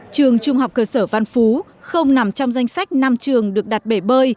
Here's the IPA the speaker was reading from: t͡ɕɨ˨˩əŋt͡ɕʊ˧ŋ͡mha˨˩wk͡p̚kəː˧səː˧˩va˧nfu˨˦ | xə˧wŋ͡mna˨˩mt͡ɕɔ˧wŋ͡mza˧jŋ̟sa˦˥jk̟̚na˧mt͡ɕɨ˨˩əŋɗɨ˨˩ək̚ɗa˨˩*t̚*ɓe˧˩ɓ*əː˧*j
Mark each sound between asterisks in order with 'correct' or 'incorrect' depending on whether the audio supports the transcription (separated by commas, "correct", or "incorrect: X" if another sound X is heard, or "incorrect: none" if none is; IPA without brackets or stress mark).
correct, correct